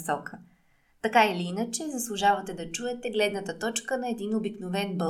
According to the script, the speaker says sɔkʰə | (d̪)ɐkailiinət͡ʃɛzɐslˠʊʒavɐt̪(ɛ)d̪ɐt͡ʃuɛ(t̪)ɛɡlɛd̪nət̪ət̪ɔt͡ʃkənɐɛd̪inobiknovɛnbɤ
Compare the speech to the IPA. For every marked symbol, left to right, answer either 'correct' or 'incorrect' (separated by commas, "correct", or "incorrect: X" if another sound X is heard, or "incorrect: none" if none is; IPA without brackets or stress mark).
incorrect: t̪, correct, correct